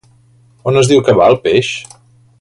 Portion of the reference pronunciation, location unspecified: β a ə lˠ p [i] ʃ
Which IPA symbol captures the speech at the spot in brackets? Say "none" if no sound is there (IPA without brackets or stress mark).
e